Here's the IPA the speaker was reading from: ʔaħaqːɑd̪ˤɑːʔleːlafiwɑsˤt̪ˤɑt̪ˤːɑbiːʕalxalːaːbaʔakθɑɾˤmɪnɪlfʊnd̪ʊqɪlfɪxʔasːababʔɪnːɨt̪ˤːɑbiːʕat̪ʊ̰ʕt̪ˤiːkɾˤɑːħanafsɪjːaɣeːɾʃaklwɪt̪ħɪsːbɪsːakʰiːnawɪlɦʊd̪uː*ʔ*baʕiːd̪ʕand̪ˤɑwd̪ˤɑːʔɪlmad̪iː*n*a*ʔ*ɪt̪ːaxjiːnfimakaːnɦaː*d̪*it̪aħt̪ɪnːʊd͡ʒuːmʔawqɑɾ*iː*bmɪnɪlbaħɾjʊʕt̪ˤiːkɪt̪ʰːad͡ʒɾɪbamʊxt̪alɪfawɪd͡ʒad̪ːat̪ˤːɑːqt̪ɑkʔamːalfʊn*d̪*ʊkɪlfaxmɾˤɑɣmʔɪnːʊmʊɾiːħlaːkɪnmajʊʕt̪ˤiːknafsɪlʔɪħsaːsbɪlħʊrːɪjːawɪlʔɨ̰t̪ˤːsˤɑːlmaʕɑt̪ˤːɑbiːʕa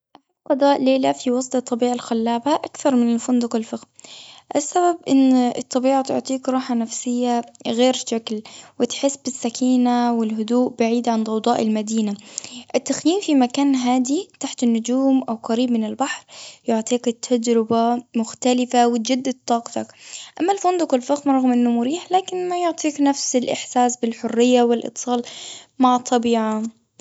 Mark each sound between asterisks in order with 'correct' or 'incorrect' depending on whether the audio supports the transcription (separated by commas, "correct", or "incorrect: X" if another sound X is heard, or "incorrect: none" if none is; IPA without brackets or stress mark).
correct, correct, correct, correct, correct, correct